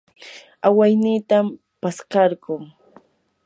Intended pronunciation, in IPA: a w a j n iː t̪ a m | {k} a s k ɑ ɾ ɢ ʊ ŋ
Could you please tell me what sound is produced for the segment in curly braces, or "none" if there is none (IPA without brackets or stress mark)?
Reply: p